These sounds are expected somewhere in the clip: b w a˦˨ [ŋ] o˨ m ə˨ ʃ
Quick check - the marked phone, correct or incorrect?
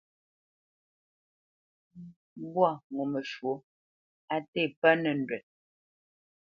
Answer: correct